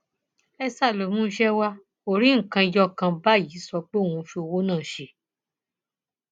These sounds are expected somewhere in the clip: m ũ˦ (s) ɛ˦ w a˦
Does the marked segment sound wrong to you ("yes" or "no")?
yes